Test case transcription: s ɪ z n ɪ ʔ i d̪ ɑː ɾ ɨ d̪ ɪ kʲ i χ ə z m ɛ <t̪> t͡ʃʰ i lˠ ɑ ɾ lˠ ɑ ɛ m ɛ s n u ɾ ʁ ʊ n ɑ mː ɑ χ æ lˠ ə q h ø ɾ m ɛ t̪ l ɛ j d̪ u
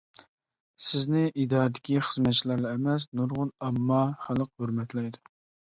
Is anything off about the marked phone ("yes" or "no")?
no